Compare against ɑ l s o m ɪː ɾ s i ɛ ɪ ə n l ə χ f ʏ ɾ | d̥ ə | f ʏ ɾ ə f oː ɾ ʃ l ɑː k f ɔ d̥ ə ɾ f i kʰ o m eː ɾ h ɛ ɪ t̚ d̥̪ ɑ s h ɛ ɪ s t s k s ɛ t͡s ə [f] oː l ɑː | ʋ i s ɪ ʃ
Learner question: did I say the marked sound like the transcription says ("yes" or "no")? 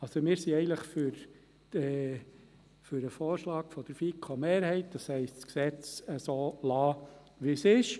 no